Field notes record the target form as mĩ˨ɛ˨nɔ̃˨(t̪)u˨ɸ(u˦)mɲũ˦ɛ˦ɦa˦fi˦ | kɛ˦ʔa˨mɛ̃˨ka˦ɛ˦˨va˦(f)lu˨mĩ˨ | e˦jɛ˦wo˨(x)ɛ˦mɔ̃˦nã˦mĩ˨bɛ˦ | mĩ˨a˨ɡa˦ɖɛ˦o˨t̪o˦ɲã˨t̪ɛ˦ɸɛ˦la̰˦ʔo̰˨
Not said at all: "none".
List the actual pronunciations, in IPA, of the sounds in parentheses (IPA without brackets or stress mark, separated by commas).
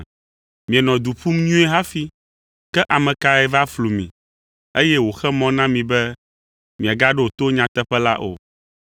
d̪, u˦, f, x